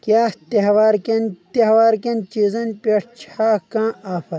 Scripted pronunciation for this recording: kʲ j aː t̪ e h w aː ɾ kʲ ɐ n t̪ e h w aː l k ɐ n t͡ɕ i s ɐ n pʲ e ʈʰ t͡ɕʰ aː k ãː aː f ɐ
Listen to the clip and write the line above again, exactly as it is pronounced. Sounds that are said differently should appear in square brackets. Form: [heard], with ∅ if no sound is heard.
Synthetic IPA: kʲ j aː t̪ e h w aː ɾ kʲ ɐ n t̪ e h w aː [ɾ] k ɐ n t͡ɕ i [z] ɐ n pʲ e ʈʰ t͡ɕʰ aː k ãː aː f ɐ